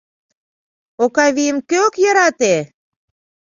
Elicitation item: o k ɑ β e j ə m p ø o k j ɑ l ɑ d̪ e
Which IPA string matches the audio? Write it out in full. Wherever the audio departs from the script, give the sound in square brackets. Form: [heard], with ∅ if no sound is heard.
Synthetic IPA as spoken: o k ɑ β [i] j ə m [k] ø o k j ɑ [ɾ] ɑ [t̪] e